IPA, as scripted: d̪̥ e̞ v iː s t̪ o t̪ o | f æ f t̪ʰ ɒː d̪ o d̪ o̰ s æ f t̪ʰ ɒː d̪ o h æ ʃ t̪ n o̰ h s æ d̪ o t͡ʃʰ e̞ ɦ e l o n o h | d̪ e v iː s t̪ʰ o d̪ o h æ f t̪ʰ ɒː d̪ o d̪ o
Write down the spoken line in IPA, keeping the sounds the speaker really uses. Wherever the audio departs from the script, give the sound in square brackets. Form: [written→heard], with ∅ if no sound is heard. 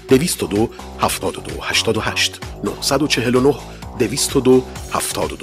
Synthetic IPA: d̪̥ e̞ v iː s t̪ o [t̪→d̪] o | [f→h] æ f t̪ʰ ɒː d̪ o d̪ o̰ [s→h] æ [f→ʃ] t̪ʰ ɒː d̪ o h æ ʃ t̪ n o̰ h s æ d̪ o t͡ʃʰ e̞ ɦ e l o n o h | d̪ e v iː s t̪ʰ o d̪ o h æ f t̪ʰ ɒː d̪ o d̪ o

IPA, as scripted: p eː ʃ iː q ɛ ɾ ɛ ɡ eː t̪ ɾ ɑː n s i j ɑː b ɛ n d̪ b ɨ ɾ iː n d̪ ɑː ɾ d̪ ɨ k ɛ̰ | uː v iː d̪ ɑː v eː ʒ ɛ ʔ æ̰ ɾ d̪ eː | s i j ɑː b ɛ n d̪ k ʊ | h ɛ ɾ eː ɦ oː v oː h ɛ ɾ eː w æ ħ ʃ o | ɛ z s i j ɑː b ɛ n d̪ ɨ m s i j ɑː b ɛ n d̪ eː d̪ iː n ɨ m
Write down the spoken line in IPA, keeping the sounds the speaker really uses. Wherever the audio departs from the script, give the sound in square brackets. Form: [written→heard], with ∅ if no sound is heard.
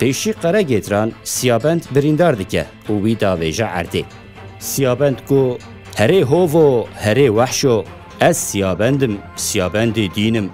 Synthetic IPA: p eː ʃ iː q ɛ ɾ ɛ ɡ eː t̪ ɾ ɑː n s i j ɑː b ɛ n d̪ b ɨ ɾ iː n d̪ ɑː ɾ d̪ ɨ k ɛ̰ | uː [v→w] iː d̪ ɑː v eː ʒ ɛ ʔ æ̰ ɾ d̪ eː | s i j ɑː b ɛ n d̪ k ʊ | h ɛ ɾ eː ɦ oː v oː h ɛ ɾ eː w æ ħ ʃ o | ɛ z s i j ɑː b ɛ n d̪ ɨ m s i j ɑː b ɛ n d̪ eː d̪ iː n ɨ m

